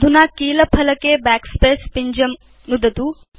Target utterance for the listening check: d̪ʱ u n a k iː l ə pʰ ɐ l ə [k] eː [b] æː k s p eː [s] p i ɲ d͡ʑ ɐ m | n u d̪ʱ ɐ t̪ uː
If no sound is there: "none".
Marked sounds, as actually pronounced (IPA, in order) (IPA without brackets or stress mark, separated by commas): k, b, s